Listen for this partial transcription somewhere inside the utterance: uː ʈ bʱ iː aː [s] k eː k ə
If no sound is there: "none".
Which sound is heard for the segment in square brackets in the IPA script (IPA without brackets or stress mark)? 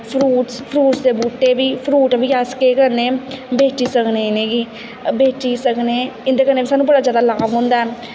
s